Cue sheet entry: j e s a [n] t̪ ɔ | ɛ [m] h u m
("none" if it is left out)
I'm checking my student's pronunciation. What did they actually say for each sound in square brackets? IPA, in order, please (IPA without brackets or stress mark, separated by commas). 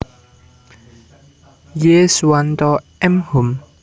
n, m